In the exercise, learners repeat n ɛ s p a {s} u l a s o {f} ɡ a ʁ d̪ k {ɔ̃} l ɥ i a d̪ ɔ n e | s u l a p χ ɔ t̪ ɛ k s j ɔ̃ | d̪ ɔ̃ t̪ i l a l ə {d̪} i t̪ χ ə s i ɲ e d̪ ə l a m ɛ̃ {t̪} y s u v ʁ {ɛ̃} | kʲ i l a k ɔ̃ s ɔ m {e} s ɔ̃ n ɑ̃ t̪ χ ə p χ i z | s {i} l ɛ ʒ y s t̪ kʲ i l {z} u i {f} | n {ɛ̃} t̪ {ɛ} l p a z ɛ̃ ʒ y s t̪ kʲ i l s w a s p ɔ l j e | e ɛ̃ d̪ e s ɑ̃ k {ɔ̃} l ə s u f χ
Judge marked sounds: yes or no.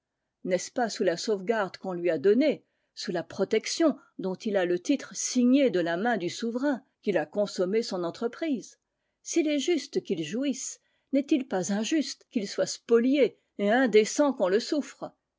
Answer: yes, no, yes, no, no, yes, yes, yes, no, no, no, no, yes

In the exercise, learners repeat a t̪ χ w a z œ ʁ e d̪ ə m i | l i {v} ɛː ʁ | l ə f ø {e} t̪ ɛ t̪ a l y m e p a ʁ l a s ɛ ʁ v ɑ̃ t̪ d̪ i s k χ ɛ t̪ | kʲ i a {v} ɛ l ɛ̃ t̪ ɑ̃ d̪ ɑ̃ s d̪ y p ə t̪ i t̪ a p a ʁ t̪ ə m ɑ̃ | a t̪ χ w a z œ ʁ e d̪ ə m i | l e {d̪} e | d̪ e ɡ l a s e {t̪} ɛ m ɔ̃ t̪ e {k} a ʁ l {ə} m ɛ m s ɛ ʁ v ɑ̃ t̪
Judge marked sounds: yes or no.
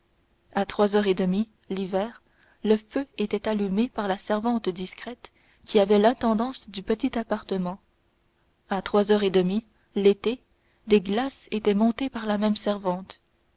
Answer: yes, yes, yes, no, yes, no, no

